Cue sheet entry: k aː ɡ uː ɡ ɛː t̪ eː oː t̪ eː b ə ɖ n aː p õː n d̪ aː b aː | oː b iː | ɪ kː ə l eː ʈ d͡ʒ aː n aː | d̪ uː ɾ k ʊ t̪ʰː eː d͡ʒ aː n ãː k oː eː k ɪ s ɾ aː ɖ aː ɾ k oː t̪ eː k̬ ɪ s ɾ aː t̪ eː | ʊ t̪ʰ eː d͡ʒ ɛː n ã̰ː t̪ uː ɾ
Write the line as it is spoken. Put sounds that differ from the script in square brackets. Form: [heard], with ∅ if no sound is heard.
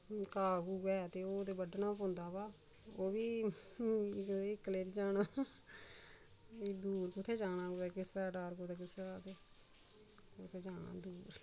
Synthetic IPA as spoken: k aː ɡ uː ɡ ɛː t̪ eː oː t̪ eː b ə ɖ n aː p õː n d̪ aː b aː | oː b iː | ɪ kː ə l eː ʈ d͡ʒ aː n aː | d̪ uː ɾ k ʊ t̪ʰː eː d͡ʒ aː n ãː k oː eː k ɪ s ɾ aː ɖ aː ɾ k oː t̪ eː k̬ ɪ s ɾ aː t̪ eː | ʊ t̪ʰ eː d͡ʒ [aː] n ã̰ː [d̪] uː ɾ